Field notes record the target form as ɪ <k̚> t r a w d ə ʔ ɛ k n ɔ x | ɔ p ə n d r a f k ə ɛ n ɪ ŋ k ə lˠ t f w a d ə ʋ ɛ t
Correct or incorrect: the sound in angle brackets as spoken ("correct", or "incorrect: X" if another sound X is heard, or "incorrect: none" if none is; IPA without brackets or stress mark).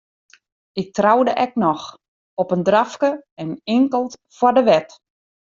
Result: correct